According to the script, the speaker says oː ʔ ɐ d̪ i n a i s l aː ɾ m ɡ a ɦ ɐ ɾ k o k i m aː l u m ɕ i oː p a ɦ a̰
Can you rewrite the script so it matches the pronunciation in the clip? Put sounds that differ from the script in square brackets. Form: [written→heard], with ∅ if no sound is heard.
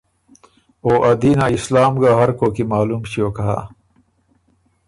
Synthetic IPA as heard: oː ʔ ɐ d̪ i n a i s l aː [ɾ→∅] m ɡ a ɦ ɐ ɾ k o k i m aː l u m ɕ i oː [p→k] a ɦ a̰